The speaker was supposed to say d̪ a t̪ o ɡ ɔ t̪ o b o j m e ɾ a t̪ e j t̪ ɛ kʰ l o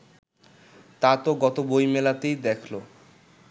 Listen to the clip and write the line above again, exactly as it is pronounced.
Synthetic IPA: t̪ a t̪ o ɡ ɔ t̪ o b o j m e l a t̪ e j d̪ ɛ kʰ l o